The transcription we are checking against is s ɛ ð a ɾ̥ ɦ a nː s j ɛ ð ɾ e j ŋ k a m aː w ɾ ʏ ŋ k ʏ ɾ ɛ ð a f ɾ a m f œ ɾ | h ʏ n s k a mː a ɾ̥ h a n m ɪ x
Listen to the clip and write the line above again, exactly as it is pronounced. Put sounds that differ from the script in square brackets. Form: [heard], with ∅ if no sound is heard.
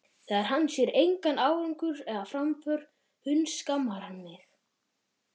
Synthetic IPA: [θ] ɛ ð a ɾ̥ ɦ a nː s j ɛ [∅] ɾ e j ŋ k a [n] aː w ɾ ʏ ŋ k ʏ ɾ ɛ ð a f ɾ a m f œ ɾ | h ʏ n s k a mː a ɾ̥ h a n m ɪ x

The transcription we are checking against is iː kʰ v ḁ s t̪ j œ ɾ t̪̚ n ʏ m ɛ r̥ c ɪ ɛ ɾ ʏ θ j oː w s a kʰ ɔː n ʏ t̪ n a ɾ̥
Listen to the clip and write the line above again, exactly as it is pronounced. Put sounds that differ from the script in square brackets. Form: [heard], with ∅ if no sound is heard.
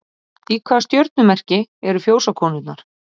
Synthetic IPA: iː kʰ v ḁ s t̪ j œ ɾ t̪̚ n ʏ m ɛ r̥ c ɪ ɛ ɾ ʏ [f] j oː w s a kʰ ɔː n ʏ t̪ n a ɾ̥

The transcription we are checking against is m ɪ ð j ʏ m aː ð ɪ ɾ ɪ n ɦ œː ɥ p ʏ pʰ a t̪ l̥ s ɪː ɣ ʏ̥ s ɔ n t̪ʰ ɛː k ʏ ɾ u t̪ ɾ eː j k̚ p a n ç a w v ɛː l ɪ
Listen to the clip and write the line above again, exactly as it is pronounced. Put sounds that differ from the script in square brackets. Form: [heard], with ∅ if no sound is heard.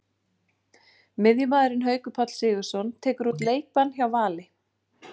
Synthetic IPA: m ɪ ð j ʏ m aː ð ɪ ɾ ɪ n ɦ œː ɥ [k] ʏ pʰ a t̪ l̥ s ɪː ɣ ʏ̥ s ɔ n t̪ʰ ɛː k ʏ ɾ u t̪ [l] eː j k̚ p a n ç a w v [aː] l ɪ

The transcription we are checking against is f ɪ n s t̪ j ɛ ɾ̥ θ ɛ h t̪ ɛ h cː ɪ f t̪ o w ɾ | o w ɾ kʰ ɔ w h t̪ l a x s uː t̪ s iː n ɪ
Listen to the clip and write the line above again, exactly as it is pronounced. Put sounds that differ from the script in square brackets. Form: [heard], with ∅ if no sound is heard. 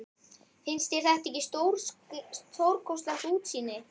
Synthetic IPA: f ɪ n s t̪ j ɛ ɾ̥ θ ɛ h t̪ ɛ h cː ɪ [s] t̪ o w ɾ | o w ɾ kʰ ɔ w [s] t̪ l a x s uː t̪ s iː n ɪ

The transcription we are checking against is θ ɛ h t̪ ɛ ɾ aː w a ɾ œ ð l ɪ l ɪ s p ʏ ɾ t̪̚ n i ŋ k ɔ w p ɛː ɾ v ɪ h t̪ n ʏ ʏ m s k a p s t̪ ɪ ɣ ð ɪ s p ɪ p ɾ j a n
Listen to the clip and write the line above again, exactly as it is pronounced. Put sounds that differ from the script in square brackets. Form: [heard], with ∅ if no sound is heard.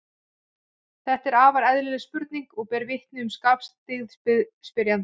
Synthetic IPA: θ ɛ h t̪ ɛ ɾ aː [v] a ɾ [ɛ] ð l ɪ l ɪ s p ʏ ɾ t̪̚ n i ŋ k ɔ [ɣ] p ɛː ɾ v ɪ h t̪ n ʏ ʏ m s k a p s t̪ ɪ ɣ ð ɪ s p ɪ [∅] ɾ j a n

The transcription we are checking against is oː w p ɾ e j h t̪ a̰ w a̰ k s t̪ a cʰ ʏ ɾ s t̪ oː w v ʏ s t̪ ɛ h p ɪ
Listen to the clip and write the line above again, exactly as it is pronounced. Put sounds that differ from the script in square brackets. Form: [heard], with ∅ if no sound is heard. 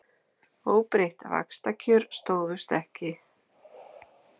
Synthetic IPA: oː w p ɾ e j h t̪ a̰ [v] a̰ k s t̪ a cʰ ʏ ɾ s t̪ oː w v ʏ s t̪ ɛ h [c] ɪ

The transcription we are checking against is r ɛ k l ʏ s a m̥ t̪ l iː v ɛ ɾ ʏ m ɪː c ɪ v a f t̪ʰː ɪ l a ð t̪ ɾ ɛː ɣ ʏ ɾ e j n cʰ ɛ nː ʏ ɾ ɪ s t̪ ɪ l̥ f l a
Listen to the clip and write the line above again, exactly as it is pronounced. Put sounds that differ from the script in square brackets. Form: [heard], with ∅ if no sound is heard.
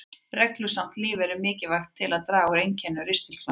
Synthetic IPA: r ɛ k l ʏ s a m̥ t̪ l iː v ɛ ɾ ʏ m ɪː c ɪ v a [x] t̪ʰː ɪ l a ð t̪ ɾ [aː] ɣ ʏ ɾ e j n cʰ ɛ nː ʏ ɾ ɪ s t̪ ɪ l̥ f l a

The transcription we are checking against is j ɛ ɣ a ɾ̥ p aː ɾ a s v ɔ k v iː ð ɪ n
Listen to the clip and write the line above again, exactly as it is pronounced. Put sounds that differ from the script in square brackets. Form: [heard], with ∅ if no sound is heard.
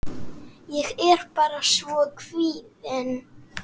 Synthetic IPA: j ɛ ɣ [ɛ] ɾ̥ p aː ɾ a s v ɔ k v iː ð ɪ n

